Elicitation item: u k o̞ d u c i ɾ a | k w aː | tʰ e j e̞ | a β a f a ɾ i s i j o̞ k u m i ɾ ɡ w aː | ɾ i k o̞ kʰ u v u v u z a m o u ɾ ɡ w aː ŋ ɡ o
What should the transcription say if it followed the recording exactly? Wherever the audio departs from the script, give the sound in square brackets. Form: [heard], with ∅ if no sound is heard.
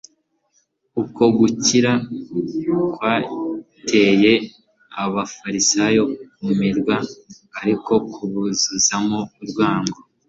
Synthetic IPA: u k o̞ [ɡ] u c i ɾ a | k w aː | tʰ e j e̞ | a β a f a ɾ i s [a] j o̞ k u m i ɾ ɡ w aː | ɾ i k o̞ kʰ u [β] u [z] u z a m o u ɾ ɡ w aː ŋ ɡ o